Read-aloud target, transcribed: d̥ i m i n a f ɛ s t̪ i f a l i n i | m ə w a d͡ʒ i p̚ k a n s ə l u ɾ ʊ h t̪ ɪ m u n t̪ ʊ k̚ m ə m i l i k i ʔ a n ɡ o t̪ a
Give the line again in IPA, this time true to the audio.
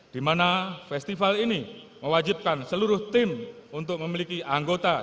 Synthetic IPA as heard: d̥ i m a n a f ɛ s t̪ i f a l i n i | m ə w a d͡ʒ i p̚ k a n s ə l u ɾ ʊ h t̪ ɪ m u n t̪ ʊ k̚ m ə m i l i k i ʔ a ŋ ɡ o t̪ a